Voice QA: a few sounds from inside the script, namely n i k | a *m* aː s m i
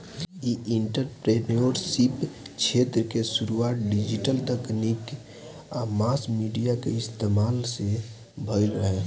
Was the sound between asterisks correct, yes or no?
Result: yes